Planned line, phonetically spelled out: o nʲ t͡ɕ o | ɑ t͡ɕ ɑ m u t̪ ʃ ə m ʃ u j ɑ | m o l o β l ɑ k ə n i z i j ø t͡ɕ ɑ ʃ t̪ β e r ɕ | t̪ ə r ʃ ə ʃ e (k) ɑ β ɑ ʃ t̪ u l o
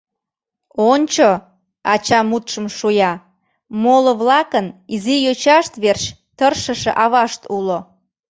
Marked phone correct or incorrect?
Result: incorrect: ʔ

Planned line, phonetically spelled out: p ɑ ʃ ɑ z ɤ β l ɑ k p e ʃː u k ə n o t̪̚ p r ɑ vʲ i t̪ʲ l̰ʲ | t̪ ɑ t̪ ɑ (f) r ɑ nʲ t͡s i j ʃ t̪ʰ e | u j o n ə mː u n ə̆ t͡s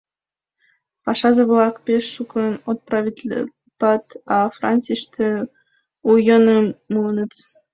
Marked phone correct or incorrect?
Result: correct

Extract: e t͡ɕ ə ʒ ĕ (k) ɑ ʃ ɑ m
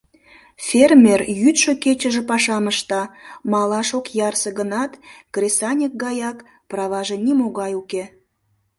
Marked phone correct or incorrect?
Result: incorrect: p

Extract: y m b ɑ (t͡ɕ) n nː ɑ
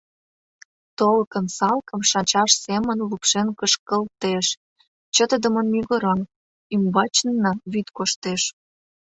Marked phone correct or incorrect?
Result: correct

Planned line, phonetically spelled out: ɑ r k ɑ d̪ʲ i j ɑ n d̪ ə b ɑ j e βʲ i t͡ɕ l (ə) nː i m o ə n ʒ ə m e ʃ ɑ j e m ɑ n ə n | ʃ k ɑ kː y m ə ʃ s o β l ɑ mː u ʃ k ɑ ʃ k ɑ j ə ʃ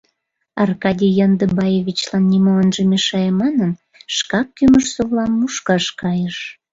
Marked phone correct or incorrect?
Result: incorrect: ɑ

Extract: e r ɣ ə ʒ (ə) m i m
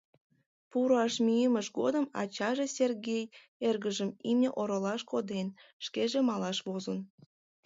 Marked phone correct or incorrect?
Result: correct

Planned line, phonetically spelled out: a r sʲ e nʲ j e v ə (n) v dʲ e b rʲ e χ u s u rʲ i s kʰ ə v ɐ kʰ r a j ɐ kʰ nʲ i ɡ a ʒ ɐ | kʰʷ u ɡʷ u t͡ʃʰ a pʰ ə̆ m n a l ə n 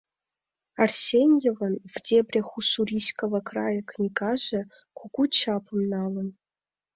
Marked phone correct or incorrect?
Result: correct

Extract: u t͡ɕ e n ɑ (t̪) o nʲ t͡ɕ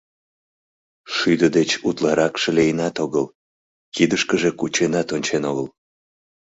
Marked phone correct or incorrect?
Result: correct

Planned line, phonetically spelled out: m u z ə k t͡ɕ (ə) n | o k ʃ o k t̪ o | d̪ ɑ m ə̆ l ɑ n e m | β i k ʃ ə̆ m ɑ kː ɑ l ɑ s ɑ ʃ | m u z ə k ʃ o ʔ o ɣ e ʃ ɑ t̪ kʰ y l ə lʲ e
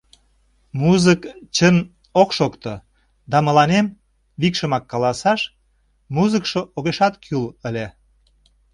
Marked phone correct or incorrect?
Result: correct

